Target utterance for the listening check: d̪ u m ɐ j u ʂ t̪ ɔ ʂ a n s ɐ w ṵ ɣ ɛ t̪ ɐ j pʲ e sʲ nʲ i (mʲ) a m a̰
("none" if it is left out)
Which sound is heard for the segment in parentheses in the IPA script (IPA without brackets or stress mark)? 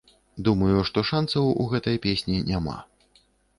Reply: nʲ